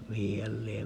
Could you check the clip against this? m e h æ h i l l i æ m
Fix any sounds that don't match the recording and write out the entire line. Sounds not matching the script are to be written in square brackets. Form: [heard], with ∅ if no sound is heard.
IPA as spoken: m [i] h [i] h [æ] l l i [e] m